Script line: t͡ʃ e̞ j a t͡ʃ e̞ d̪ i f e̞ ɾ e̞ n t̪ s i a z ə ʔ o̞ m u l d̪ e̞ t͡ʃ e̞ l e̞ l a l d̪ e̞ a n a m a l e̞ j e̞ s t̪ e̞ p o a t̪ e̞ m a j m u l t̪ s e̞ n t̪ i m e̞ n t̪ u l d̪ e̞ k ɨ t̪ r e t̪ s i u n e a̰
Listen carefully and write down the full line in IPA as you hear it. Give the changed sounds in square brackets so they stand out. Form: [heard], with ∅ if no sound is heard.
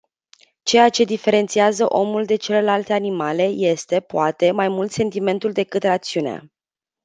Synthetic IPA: t͡ʃ e̞ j a t͡ʃ e̞ d̪ i f e̞ ɾ e̞ n t̪ s i a z ə ʔ o̞ m u l d̪ e̞ t͡ʃ e̞ l e̞ l a l [t̪] e̞ a n [i] m a l e̞ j e̞ s t̪ e̞ p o a t̪ e̞ m a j m u l t̪ s e̞ n t̪ i m e̞ n t̪ u l d̪ e̞ k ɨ t̪ r [a] t̪ s i u n e a̰